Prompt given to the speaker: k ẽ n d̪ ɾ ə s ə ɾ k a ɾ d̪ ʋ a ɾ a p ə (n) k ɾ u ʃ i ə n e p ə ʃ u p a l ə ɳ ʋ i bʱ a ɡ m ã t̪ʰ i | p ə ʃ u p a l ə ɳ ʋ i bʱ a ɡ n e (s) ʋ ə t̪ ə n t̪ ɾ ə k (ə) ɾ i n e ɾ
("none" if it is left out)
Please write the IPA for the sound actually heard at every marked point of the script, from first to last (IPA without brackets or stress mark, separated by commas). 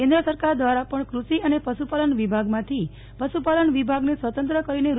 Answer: ɳ, s, ə